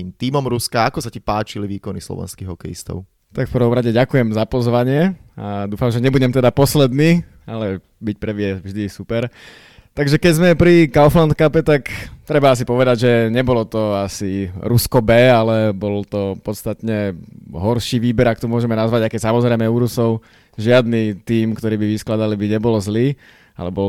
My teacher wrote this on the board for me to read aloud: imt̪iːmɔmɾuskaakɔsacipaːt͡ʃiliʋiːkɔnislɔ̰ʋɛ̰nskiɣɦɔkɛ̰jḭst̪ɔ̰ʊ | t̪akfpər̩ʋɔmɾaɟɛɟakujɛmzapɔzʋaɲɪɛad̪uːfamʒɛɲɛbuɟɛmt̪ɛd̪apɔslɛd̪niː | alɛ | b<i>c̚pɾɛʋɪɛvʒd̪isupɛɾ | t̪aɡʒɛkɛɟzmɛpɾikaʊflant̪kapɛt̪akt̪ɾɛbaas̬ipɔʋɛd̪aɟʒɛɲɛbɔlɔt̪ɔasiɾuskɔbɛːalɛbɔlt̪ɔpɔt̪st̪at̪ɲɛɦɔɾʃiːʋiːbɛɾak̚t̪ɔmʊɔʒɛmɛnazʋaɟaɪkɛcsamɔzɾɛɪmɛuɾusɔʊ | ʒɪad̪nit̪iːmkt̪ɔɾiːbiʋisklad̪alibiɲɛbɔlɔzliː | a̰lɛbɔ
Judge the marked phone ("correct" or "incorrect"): correct